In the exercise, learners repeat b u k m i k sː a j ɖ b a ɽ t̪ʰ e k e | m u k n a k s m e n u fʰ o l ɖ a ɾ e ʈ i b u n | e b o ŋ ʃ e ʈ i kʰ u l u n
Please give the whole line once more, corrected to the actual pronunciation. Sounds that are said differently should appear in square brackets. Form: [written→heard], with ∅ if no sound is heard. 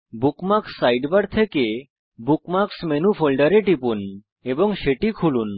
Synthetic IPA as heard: b u k m [i→a] k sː a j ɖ b a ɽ t̪ʰ e k e | [m→b] u k [n→m] a k s m e n u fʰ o l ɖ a ɾ e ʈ i [b→p] u n | e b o ŋ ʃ e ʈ i kʰ u l u n